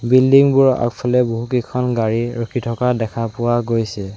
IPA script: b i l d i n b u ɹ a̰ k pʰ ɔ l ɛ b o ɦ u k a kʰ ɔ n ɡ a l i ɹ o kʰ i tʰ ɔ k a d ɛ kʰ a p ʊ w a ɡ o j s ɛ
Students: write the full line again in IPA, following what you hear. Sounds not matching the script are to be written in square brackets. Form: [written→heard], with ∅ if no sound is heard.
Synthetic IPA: b i l d i [n→ŋ] b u ɹ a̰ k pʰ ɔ l ɛ b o ɦ u k [a→i] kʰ ɔ n ɡ a [l→ɹ] i ɹ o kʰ i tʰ ɔ k a d ɛ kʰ a p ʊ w a ɡ o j s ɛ